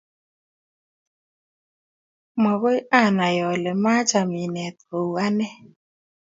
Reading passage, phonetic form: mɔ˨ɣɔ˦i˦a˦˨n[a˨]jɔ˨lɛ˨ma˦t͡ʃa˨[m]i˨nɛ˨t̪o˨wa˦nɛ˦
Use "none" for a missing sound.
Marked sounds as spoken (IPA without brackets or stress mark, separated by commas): a˨, m